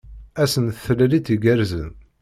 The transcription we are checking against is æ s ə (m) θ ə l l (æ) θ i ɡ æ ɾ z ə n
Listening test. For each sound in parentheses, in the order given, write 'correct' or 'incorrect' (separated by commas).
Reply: incorrect, incorrect